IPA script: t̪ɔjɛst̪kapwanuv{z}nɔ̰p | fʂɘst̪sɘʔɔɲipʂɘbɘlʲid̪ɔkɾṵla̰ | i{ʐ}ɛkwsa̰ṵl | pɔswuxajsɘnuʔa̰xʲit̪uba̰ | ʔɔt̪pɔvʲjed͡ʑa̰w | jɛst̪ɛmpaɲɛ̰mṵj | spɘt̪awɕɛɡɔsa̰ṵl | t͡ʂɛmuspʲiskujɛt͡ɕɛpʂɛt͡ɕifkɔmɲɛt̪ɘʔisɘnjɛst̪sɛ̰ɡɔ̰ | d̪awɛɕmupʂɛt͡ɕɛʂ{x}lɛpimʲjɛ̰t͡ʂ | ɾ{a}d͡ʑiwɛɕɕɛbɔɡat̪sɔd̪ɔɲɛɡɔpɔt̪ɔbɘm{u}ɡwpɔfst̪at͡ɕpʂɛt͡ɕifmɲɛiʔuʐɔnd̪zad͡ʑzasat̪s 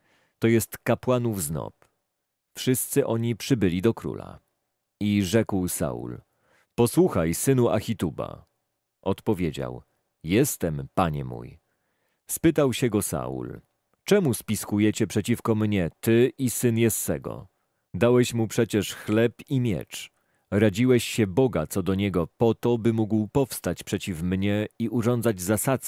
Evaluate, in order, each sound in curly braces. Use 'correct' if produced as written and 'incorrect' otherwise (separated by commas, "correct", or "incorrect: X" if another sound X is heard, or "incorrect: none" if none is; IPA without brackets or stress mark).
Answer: correct, correct, correct, correct, correct